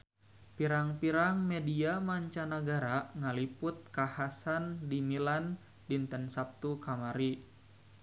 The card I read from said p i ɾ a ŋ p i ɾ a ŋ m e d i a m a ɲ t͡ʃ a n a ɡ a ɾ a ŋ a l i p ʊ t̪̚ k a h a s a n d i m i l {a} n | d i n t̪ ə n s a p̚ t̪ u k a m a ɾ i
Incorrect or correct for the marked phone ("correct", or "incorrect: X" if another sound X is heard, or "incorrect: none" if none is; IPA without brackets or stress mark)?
correct